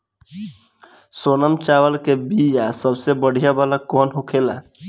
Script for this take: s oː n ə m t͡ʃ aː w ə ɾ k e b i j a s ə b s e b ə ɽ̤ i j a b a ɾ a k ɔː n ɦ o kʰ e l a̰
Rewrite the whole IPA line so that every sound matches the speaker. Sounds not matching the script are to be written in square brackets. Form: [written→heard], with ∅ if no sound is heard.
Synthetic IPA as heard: s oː n ə m t͡ʃ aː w ə [ɾ→l] k e b i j a s ə b s e b ə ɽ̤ i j a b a [ɾ→l] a k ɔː n ɦ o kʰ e l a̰